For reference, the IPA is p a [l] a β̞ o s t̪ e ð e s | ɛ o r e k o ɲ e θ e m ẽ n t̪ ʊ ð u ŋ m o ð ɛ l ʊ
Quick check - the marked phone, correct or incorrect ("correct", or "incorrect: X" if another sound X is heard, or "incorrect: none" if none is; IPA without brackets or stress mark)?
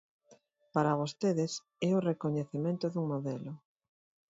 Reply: incorrect: ɾ